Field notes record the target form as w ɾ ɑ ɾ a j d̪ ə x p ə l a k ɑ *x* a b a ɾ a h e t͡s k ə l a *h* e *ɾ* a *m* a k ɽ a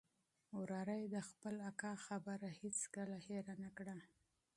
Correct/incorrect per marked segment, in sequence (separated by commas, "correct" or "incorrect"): correct, correct, correct, incorrect